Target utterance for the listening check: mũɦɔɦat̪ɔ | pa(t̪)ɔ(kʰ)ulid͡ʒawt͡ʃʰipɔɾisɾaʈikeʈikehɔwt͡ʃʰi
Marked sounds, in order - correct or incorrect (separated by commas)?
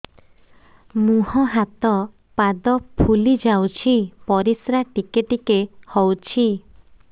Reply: incorrect, incorrect